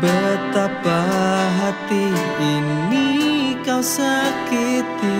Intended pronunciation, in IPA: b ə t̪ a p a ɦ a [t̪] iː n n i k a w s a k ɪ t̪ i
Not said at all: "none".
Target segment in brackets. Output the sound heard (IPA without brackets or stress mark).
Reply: t̪